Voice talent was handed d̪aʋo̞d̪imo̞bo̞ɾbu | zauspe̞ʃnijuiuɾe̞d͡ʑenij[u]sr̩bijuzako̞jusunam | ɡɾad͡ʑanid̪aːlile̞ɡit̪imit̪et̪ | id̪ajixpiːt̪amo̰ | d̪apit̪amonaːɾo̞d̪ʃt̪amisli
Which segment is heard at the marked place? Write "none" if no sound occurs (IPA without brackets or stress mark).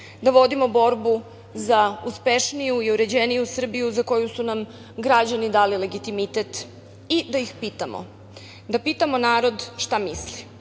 u